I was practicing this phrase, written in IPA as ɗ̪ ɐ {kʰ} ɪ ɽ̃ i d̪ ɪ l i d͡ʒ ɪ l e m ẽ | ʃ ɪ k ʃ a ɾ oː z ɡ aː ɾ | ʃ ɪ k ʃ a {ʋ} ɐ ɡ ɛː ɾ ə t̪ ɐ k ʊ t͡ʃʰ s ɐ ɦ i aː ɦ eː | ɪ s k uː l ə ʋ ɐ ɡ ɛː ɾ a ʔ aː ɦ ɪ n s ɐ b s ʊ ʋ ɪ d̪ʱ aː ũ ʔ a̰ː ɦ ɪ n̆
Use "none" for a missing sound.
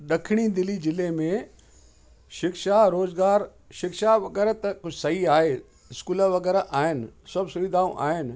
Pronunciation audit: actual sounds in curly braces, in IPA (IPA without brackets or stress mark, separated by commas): kʰ, ʋ